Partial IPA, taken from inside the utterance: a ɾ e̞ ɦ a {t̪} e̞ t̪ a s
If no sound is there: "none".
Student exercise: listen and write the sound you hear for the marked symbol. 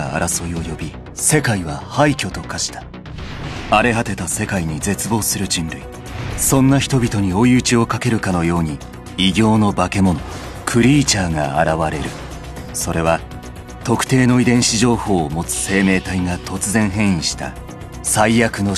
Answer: t̪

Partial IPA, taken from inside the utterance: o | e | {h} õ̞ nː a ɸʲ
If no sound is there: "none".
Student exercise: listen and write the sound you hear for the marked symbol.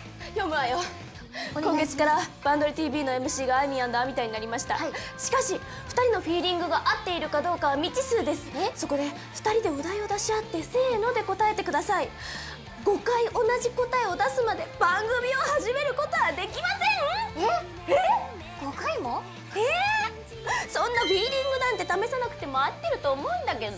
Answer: s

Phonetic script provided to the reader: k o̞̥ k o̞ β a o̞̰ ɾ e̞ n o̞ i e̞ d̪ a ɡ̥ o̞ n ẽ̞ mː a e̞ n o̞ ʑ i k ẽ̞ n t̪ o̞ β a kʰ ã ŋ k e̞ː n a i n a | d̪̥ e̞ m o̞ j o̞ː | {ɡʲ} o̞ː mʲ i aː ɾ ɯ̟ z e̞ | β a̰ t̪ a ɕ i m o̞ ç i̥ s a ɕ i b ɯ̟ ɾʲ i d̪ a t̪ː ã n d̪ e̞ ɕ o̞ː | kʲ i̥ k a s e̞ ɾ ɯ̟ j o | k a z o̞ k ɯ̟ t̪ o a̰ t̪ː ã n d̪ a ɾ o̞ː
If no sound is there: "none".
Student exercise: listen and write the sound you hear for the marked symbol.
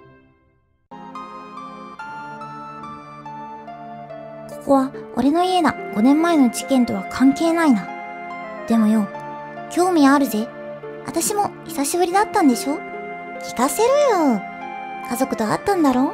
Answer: kʲ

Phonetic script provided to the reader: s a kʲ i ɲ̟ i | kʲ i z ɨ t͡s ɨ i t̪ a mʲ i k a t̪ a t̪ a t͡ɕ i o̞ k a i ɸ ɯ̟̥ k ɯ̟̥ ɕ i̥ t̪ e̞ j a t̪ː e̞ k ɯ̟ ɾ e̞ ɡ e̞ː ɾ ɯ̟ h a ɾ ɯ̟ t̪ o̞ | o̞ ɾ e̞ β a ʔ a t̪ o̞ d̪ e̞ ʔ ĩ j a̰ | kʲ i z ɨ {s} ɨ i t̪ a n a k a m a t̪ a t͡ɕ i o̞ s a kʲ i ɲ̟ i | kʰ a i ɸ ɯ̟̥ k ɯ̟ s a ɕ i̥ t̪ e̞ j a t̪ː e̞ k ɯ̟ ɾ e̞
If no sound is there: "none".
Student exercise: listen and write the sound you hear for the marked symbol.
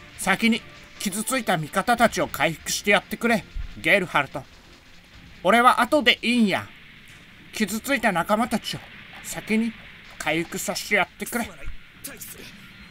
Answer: t͡s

